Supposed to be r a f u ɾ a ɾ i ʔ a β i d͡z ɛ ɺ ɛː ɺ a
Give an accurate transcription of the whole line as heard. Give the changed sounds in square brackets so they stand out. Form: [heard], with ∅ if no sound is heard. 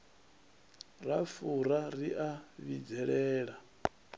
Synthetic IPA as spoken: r a f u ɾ a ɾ i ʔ a β i d͡z ɛ ɺ ɛː ɺ a